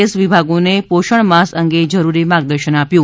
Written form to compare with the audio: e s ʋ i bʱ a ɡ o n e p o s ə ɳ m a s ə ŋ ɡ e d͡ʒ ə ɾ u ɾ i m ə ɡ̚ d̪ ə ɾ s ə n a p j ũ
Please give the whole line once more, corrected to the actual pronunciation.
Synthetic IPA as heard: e s ʋ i bʱ a ɡ o n e p o ʃ ə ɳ m a s ə ŋ ɡ e d͡ʒ ə ɾ u ɾ i m a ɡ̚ d̪ ə ɾ ʃ ə n a p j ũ